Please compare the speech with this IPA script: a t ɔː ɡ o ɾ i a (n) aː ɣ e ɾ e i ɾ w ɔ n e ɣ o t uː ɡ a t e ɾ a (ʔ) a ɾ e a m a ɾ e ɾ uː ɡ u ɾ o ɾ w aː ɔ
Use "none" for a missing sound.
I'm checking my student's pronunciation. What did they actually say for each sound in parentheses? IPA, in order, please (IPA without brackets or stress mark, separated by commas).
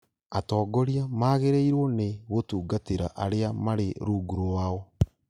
m, ʔ